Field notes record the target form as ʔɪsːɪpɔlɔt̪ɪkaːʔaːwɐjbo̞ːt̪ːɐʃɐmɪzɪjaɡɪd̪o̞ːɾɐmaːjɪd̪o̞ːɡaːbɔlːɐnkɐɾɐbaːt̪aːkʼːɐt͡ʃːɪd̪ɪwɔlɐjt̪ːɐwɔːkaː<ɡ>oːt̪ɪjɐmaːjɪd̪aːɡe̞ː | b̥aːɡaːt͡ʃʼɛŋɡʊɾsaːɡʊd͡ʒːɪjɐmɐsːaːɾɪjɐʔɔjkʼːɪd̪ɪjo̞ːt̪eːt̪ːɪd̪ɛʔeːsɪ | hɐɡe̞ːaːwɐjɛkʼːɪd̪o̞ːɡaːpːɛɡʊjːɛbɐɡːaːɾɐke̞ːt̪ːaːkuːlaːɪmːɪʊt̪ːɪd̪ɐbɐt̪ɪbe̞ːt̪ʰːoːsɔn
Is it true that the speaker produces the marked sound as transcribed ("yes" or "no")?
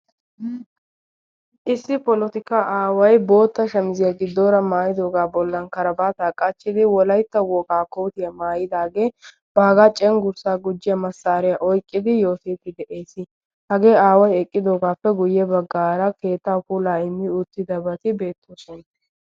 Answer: no